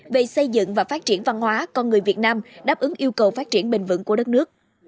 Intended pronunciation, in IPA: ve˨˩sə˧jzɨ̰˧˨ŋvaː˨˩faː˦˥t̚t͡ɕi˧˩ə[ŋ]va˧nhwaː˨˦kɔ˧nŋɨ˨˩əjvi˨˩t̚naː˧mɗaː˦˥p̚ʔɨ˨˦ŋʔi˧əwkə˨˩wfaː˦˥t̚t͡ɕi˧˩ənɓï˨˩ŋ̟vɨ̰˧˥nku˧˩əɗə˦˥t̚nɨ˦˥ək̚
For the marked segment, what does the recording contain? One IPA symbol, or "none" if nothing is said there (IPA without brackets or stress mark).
n